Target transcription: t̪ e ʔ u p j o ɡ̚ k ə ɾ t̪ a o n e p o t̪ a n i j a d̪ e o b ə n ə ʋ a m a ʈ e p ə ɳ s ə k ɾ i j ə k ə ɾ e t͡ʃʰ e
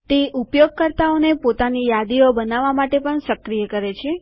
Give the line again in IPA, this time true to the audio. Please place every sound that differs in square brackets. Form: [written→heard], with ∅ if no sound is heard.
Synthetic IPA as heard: t̪ e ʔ u p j o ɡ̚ k ə ɾ t̪ a o n e p o t̪ a n i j a d̪ [e→i] o b ə n [ə→a] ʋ a m a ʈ e p ə ɳ s ə k ɾ i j ə k ə ɾ e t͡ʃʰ e